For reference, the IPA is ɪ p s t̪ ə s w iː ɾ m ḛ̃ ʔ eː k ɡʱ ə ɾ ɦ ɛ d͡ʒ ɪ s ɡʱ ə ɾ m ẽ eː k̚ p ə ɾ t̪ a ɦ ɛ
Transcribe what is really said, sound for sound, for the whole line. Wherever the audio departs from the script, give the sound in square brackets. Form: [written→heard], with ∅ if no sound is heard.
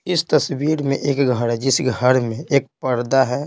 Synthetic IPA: ɪ [p→∅] s t̪ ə s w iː ɾ m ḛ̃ ʔ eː k ɡʱ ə ɾ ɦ ɛ d͡ʒ ɪ s ɡʱ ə ɾ m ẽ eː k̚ p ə ɾ [t̪→d̪] a ɦ ɛ